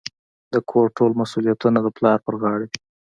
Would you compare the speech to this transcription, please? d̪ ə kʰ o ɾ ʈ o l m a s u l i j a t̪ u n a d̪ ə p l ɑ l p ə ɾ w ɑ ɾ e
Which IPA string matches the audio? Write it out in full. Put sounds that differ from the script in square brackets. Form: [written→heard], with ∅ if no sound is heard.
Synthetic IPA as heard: d̪ ə kʰ o ɾ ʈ o l m a s u l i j a t̪ u n a d̪ ə p l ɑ [l→ɾ] p ə ɾ [w→ɣ] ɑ [ɾ→ɽ] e